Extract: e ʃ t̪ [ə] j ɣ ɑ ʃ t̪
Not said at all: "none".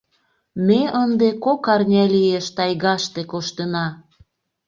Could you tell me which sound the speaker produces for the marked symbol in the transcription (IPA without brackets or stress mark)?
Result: ɑ